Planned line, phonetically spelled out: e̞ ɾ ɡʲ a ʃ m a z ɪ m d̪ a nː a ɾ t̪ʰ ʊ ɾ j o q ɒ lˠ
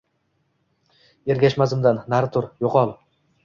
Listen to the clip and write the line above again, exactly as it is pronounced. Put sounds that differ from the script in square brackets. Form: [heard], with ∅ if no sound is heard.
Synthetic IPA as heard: e̞ ɾ ɡʲ a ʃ m a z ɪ m d̪ a nː a ɾ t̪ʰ ʊ ɾ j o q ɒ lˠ